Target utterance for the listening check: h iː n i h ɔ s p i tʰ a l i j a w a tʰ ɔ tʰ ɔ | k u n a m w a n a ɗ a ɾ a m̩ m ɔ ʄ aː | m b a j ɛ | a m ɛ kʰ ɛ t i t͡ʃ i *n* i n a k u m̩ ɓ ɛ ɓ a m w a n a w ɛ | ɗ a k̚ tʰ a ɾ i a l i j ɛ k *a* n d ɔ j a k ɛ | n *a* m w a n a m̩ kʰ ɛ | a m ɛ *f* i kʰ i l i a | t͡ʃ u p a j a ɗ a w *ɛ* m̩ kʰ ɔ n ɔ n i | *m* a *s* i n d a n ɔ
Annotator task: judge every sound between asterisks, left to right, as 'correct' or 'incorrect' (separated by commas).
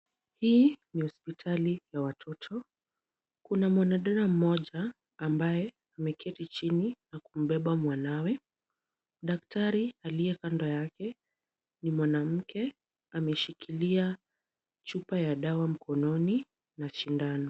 correct, correct, incorrect, incorrect, incorrect, incorrect, incorrect